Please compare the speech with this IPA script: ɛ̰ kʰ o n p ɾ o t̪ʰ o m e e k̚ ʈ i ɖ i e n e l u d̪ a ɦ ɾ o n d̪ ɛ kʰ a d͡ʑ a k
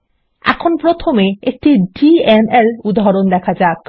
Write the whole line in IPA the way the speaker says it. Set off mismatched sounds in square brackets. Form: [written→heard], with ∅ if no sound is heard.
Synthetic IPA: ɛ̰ kʰ o n p ɾ o t̪ʰ o m e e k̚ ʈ i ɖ i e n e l u d̪ a ɦ ɾ o n d̪ ɛ kʰ a d͡ʑ a k